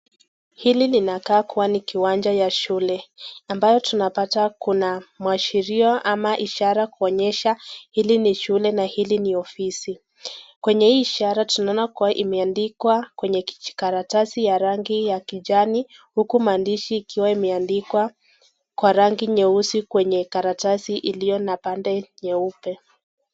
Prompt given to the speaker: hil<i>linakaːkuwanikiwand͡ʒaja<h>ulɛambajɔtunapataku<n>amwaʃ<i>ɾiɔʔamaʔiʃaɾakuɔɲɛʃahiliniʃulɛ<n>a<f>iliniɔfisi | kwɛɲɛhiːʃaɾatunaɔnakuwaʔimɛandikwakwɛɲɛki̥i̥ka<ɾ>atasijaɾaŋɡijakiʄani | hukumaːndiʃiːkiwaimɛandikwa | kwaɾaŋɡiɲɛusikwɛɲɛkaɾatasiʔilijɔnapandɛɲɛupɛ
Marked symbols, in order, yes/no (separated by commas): yes, no, yes, yes, yes, no, yes